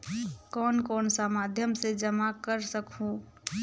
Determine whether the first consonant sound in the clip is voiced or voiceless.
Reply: voiceless